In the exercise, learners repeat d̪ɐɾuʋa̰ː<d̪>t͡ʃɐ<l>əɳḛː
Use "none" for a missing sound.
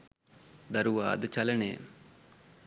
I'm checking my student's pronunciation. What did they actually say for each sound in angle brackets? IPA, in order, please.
d̪, l

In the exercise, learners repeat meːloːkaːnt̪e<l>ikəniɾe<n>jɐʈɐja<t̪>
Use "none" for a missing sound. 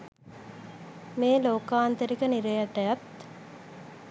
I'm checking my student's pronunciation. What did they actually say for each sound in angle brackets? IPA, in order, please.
ɾ, none, t̪

